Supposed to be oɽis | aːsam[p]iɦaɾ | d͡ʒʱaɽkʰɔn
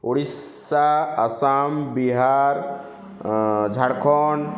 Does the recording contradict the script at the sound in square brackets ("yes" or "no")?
yes